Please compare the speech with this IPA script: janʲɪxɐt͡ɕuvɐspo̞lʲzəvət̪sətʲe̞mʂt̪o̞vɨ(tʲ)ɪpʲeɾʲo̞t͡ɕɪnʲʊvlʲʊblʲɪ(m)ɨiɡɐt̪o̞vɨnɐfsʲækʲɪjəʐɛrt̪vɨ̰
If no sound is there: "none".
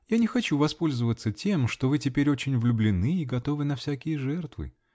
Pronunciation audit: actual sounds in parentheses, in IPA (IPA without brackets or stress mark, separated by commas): tʲ, n